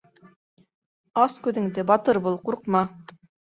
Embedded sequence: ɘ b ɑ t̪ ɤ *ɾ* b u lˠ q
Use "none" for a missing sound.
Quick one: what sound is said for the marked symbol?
ɾ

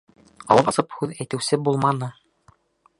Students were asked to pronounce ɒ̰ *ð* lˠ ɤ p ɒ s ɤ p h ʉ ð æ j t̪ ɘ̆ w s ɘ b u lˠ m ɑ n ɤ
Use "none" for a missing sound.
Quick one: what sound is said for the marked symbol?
none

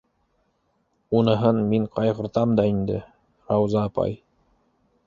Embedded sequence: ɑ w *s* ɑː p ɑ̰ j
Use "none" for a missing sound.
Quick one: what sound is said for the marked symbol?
z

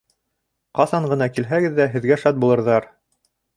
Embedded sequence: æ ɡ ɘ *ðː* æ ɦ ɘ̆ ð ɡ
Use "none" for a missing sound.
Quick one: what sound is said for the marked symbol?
ðː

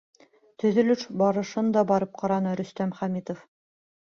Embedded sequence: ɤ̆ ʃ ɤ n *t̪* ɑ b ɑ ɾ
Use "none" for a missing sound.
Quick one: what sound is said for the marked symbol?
d̪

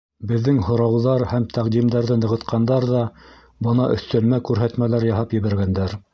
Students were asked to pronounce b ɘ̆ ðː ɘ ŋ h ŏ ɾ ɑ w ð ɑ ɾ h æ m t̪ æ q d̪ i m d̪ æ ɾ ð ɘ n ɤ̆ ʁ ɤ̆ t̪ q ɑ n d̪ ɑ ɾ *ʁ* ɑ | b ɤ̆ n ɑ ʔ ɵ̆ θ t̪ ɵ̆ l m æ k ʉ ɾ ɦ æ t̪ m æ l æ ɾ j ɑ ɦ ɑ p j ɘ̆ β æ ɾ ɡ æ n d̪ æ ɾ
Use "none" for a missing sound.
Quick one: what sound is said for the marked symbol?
ð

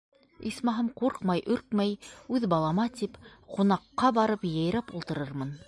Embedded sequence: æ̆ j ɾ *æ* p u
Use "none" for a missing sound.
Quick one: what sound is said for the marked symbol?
æ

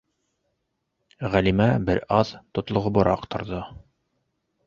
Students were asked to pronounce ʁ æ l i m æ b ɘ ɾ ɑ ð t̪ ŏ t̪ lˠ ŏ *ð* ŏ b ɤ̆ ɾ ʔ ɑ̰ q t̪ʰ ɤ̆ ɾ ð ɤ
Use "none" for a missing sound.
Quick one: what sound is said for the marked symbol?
ʁ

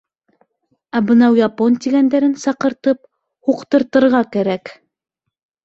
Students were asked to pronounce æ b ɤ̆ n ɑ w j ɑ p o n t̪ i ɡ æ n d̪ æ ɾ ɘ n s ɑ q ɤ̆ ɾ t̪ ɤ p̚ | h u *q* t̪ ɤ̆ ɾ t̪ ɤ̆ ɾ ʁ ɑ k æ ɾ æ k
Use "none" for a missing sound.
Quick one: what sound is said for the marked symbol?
q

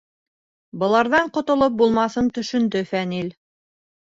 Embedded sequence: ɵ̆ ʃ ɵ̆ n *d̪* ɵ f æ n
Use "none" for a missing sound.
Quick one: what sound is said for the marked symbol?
d̪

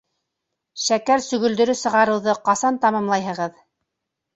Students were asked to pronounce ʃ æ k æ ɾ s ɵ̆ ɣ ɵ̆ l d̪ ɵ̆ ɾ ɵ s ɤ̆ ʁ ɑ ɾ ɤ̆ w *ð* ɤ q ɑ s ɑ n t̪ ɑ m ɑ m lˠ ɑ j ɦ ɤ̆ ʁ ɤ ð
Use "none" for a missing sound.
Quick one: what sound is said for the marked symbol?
ð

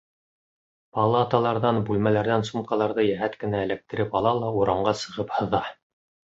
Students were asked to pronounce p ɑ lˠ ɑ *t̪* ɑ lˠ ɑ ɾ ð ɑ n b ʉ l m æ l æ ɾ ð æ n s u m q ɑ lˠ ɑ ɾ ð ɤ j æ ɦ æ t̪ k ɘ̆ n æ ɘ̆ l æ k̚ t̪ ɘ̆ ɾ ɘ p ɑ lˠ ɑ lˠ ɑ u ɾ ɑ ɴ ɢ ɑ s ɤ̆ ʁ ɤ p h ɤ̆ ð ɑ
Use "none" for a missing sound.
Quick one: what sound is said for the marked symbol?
t̪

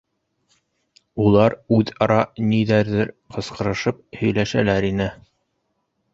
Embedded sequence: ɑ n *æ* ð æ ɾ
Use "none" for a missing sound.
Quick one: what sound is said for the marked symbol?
i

